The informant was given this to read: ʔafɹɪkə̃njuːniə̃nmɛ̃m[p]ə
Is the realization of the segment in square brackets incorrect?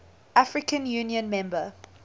yes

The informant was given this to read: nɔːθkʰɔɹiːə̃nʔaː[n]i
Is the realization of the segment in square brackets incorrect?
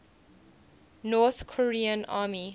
yes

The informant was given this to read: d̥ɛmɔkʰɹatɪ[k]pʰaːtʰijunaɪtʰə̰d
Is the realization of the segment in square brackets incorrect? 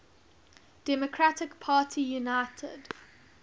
no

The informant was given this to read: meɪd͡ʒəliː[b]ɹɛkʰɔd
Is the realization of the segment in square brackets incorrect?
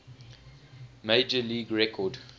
yes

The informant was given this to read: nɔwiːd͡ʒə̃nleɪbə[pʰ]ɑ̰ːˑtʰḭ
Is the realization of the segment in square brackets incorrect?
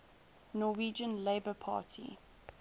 no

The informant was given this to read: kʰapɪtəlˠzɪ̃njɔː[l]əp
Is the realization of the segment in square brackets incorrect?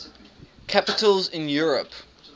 yes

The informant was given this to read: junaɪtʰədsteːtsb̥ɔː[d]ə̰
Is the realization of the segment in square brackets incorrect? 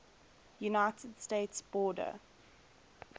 no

